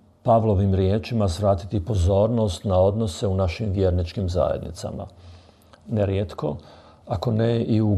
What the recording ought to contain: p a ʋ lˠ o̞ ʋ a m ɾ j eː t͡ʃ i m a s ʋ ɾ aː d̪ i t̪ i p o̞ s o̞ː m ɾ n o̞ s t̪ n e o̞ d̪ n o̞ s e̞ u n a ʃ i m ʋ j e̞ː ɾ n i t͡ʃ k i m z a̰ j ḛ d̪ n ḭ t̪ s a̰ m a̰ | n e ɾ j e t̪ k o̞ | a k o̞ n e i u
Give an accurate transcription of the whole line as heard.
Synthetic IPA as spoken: p a ʋ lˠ o̞ ʋ i m ɾ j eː t͡ʃ i m a s ʋ ɾ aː t̪ i t̪ i p o̞ z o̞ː ɾ n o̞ s t̪ n a o̞ d̪ n o̞ s e̞ u n a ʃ i m ʋ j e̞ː ɾ n i t͡ʃ k i m z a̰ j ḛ d̪ n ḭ t̪ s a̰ m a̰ | n e ɾ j e t̪ k o̞ | a k o̞ n e i u